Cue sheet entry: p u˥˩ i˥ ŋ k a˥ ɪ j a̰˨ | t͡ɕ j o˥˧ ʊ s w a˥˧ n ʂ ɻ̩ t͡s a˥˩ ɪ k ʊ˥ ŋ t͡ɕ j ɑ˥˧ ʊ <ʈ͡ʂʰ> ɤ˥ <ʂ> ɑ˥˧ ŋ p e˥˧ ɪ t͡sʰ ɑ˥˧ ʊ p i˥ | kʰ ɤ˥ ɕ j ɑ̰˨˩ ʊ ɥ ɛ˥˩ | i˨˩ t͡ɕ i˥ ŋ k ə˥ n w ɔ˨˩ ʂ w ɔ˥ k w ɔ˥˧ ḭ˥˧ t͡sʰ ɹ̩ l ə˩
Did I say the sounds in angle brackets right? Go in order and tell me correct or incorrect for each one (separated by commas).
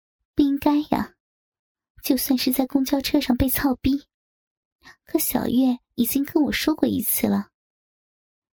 correct, correct